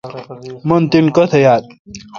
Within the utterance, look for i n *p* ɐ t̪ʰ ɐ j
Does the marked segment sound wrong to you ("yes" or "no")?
yes